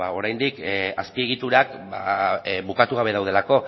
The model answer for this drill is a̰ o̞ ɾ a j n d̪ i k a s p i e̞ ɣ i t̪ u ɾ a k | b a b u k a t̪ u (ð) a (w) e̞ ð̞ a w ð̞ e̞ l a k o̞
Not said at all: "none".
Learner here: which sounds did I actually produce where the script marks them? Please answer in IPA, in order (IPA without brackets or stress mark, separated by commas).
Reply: ɣ, β